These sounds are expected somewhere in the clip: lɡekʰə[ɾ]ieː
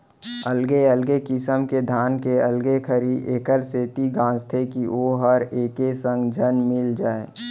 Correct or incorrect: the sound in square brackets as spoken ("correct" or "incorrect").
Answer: correct